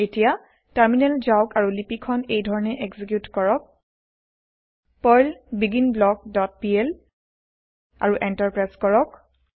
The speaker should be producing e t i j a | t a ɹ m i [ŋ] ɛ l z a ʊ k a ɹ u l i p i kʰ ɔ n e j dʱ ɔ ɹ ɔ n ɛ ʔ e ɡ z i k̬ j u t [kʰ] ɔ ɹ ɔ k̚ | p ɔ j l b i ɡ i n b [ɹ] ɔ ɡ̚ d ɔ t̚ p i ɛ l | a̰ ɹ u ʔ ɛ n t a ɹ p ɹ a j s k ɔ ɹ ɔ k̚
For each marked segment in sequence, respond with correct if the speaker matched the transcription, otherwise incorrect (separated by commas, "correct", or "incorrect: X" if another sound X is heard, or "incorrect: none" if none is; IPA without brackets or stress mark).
incorrect: n, incorrect: k, incorrect: l